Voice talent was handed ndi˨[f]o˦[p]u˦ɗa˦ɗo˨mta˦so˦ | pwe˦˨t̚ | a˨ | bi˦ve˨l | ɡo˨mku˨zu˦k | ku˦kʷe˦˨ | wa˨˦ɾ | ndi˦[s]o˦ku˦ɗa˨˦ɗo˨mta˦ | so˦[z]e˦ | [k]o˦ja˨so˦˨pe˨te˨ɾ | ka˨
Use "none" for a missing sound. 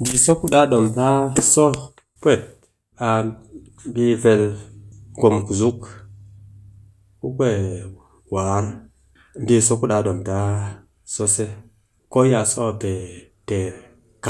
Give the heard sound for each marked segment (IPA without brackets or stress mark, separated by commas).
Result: s, k, s, s, k